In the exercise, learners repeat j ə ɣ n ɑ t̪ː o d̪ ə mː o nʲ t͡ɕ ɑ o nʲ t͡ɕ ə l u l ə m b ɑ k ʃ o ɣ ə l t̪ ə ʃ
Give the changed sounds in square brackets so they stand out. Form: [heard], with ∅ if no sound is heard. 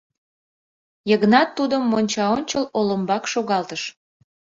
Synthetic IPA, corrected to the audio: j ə ɣ n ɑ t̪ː [u] d̪ ə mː o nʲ t͡ɕ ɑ o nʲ t͡ɕ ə l [o] l ə m b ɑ k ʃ o ɣ [ɑ] l t̪ ə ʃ

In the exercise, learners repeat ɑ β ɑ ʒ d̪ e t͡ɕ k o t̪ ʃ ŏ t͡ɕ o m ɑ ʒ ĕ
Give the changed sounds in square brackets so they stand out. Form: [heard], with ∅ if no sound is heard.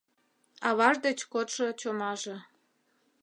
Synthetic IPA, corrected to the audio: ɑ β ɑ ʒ d̪ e t͡ɕ k o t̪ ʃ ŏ t͡ɕ o m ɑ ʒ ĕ

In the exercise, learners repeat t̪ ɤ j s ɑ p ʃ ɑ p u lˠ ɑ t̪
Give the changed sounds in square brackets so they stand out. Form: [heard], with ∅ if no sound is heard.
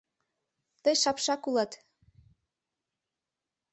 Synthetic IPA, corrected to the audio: t̪ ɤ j [ʃ] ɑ p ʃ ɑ [k] u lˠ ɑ t̪

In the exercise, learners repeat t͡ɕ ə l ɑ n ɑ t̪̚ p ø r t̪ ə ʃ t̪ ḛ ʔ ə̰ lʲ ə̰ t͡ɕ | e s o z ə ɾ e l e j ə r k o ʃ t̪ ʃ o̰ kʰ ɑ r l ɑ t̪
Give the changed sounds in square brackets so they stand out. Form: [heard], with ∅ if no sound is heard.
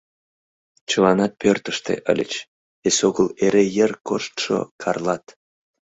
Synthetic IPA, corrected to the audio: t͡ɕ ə l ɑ n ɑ t̪̚ p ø r t̪ ə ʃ t̪ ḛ ʔ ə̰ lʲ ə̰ t͡ɕ | e s o [ɣ] ə [l] e [ɾ] e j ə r k o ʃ t̪ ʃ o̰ kʰ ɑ r l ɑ t̪

